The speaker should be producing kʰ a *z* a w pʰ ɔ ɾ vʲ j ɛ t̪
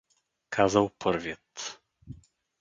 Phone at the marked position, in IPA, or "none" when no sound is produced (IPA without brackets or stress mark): z